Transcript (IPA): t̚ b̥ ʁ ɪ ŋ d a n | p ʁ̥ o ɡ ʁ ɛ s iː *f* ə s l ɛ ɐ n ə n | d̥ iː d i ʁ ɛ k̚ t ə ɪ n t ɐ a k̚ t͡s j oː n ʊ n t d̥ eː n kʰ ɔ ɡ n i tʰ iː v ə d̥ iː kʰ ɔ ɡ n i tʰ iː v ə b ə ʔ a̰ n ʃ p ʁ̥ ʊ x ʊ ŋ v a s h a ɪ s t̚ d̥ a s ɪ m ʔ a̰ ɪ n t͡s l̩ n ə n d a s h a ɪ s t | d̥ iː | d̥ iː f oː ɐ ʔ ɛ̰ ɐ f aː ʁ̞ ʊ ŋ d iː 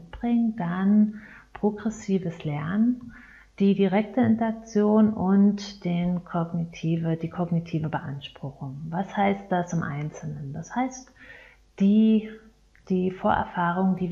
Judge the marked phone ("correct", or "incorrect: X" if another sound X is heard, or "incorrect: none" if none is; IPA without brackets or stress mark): incorrect: v